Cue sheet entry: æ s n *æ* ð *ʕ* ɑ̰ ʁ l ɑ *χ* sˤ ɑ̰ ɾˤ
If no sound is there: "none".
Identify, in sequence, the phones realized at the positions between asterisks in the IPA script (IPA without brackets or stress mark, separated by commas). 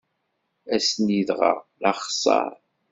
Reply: i, ʁ, χ